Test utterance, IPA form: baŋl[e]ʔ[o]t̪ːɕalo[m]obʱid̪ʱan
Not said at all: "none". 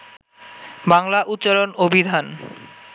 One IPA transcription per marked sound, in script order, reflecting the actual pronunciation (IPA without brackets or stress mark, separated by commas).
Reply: a, u, n